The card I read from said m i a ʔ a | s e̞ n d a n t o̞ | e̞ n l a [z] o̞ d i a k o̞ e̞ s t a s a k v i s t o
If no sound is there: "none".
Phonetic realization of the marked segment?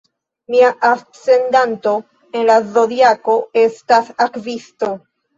z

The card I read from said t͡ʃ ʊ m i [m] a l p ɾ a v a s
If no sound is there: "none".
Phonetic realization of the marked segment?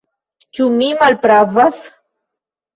m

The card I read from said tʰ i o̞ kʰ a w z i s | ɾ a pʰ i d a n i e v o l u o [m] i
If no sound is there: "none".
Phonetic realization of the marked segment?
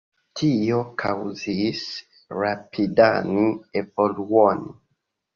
n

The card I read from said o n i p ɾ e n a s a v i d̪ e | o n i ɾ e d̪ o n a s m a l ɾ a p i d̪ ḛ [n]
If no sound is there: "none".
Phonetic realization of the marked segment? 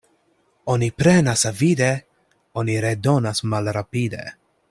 none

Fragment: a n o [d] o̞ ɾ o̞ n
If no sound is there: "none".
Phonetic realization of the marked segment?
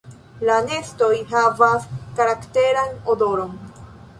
d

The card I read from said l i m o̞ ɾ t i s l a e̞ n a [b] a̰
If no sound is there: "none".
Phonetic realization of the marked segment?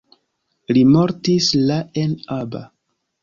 b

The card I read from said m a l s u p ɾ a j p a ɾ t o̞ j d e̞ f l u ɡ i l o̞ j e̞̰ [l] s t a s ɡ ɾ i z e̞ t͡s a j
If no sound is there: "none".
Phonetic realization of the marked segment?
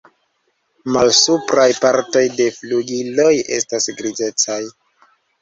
none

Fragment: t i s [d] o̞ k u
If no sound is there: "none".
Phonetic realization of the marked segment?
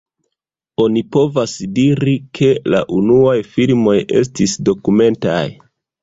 d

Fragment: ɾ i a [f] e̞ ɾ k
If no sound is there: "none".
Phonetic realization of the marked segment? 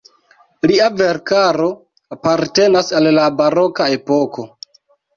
v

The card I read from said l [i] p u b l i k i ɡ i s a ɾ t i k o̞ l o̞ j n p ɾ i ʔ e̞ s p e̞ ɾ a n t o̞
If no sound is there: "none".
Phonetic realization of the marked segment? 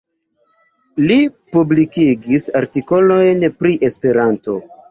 i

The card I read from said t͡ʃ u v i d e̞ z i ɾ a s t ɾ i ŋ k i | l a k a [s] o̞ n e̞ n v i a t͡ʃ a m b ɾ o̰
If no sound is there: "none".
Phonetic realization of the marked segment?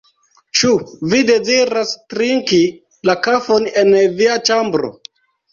f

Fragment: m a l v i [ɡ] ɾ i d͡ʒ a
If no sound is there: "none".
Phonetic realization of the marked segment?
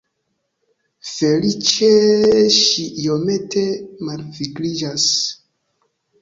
ɡ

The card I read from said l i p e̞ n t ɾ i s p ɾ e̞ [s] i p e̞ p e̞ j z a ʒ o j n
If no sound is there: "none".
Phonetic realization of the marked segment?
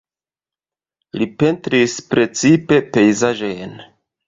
t͡s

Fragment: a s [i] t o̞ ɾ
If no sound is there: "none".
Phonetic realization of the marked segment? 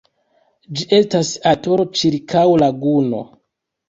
a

